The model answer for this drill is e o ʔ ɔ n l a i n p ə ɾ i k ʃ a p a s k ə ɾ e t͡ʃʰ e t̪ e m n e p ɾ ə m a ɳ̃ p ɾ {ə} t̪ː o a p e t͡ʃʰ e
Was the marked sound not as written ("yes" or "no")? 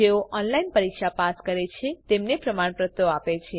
no